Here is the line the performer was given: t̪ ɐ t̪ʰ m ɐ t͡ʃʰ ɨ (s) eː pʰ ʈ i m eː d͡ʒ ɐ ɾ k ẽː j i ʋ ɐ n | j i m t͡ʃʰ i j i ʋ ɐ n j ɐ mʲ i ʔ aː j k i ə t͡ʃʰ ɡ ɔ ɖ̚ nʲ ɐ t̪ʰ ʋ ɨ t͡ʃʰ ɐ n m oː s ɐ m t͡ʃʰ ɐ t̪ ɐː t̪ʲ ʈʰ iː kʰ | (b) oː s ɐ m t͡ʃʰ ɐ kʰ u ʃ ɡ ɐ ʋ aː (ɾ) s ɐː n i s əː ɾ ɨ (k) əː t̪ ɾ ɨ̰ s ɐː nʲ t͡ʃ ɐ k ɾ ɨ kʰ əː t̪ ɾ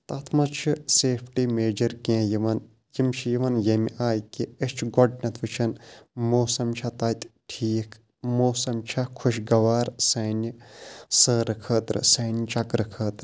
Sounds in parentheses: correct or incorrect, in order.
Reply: correct, incorrect, correct, incorrect

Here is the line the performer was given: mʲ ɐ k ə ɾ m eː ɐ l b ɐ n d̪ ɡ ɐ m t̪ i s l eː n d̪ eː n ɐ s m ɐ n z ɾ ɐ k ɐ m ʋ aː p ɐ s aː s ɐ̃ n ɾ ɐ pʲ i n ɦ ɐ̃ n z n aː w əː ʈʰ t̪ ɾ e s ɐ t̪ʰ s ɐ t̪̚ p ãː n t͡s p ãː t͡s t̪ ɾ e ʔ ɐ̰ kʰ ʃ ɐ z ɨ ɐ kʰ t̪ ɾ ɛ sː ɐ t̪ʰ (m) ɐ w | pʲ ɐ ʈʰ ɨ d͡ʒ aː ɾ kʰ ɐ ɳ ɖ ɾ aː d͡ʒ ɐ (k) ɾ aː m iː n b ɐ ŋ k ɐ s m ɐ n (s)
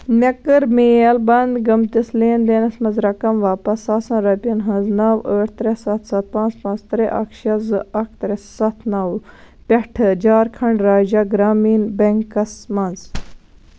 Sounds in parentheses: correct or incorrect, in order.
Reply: incorrect, incorrect, incorrect

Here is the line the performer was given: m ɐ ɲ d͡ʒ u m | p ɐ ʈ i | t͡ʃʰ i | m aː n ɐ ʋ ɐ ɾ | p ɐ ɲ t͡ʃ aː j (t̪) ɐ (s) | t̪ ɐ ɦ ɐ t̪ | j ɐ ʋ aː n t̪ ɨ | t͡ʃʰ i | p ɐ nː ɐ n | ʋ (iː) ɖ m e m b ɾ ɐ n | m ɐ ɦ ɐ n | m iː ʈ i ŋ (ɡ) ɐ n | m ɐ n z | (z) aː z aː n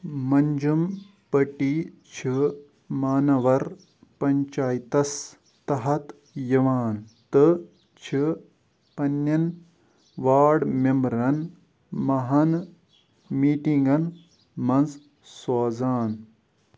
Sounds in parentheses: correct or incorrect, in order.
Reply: correct, correct, incorrect, correct, incorrect

